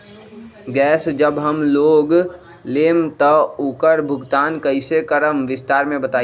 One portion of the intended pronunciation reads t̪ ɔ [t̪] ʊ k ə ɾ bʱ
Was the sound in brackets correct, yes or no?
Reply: no